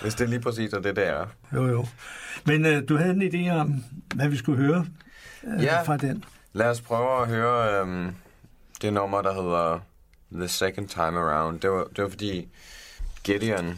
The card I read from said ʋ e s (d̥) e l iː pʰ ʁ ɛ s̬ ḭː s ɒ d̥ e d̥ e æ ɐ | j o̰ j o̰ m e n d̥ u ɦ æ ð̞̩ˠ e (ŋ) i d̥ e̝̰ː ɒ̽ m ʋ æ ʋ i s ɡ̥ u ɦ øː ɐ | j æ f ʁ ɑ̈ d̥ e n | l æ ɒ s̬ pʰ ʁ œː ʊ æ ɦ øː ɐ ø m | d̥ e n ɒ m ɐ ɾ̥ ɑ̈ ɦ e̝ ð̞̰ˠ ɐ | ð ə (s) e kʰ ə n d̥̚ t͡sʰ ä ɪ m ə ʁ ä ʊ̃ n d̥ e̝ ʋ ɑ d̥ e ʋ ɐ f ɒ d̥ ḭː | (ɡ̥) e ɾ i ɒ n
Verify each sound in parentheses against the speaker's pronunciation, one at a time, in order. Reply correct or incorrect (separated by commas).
correct, incorrect, correct, correct